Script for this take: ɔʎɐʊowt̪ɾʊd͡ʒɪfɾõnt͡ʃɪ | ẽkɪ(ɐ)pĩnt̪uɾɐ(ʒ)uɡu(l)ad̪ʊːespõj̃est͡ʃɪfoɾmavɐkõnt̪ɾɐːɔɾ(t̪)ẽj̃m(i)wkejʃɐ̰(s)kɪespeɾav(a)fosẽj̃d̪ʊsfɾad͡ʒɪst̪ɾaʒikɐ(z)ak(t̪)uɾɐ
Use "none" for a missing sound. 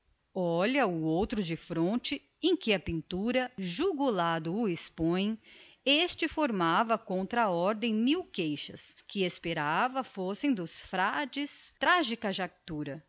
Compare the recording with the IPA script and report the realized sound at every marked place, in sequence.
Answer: ɐ, ʒ, l, d̪, i, s, ɐ, ʒ, t̪

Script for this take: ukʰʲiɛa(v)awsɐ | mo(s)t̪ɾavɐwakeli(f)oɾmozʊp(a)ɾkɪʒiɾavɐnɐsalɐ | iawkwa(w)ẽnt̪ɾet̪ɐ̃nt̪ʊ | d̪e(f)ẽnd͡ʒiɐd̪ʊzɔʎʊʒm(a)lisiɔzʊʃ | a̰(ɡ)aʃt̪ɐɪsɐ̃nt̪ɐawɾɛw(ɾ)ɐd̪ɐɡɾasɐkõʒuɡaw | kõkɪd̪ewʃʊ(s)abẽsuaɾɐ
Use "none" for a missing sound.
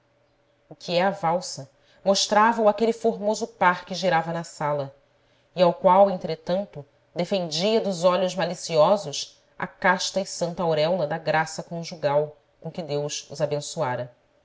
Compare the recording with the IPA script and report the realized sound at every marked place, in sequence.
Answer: v, ʃ, f, a, w, f, a, k, l, z

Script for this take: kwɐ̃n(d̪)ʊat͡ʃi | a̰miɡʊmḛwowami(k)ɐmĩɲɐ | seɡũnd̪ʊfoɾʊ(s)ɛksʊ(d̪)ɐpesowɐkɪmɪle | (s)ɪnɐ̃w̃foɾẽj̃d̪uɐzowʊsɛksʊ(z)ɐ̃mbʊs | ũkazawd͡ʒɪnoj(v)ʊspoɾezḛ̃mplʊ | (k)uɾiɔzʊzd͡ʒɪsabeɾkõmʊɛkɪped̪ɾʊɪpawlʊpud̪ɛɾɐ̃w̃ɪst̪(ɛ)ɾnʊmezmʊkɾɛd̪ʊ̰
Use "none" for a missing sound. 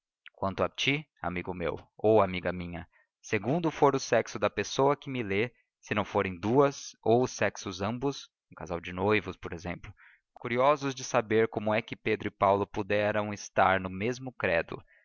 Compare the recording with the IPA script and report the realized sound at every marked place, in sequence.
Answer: t̪, ɡ, s, d̪, s, z, v, k, a

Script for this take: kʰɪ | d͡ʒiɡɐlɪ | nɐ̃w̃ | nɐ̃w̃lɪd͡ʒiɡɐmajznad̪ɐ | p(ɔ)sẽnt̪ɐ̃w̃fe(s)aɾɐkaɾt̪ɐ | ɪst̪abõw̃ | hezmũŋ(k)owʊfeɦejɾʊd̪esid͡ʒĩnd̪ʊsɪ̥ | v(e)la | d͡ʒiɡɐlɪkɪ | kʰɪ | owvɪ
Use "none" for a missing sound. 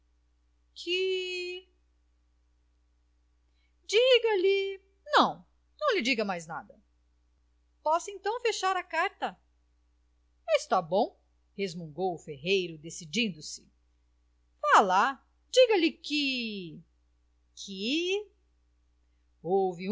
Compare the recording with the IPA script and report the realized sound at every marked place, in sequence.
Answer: ɔ, ʃ, ɡ, a

